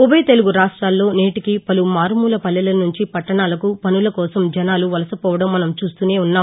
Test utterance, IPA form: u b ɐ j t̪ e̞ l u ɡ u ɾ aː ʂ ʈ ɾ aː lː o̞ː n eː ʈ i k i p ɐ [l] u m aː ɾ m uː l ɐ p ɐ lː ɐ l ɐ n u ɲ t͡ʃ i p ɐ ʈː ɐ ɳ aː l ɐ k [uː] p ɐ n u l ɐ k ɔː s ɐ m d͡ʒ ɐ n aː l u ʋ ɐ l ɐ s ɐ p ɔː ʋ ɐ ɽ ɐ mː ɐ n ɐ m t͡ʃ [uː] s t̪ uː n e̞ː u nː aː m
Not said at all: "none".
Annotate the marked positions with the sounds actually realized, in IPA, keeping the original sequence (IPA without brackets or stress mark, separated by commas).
l, u, uː